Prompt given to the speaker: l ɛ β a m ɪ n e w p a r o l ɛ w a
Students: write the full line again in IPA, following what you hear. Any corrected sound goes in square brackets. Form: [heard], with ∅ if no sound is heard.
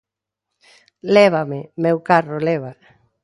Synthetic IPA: l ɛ β a m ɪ [m] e w [k] a r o l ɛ [β] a